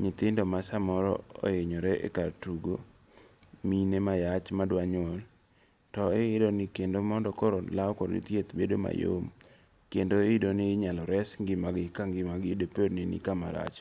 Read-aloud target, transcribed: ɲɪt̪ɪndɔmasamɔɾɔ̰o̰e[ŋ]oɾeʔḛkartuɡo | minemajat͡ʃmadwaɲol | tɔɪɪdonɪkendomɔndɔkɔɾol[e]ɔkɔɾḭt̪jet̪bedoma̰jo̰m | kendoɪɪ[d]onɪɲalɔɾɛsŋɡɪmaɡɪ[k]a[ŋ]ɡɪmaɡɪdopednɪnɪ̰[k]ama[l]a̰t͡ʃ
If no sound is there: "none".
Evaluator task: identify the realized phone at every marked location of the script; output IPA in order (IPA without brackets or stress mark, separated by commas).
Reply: ɲ, a, d, k, ŋ, k, ɾ